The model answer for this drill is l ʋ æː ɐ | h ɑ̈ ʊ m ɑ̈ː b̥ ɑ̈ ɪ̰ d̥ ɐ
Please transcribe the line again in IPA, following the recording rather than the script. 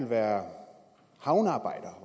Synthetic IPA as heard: l ʋ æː ɐ | h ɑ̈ ʊ n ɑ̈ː b̥ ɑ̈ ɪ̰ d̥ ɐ